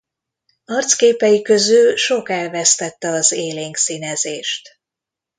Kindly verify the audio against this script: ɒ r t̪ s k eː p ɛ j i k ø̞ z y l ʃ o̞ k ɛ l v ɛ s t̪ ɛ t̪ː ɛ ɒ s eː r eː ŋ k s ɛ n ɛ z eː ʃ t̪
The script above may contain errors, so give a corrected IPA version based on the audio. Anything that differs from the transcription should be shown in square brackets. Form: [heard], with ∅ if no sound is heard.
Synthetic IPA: ɒ r t̪ s k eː p ɛ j i k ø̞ z y l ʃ o̞ k ɛ l v ɛ s t̪ ɛ t̪ː ɛ ɒ [z] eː [l] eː ŋ k s [i] n ɛ z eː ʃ t̪